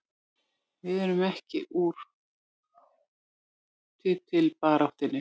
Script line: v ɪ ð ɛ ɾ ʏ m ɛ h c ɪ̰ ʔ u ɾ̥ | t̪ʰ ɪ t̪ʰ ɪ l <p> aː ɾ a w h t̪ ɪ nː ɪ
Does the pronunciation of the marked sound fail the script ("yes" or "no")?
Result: no